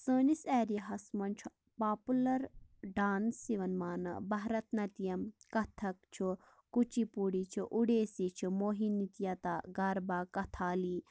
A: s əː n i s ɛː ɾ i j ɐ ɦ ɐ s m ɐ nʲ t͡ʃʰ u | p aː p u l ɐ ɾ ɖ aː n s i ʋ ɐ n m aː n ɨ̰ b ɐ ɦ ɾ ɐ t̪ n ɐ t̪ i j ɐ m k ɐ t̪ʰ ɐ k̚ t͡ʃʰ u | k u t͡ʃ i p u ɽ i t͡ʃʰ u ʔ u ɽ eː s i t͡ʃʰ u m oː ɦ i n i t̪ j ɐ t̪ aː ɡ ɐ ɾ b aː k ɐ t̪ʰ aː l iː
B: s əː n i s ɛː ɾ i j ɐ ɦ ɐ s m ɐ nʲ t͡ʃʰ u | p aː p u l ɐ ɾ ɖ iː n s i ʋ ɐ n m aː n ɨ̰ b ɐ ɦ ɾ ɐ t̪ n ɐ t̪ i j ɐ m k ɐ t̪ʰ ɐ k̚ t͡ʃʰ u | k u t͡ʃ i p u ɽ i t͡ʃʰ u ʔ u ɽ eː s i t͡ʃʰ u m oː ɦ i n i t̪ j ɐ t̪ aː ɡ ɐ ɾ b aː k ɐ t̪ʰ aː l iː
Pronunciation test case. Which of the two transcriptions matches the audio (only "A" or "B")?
A